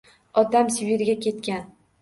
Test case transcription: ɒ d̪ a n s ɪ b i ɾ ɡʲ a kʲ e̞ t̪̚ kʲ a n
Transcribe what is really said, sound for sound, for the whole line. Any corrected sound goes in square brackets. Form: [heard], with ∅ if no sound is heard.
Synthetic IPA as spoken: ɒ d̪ a [m] s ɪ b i ɾ ɡʲ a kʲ e̞ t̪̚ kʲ a n